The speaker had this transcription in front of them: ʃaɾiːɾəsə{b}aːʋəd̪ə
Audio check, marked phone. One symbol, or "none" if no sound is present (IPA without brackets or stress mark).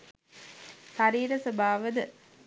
b